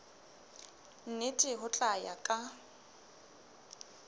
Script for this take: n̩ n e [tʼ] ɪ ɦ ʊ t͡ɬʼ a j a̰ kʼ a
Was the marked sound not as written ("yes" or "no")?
no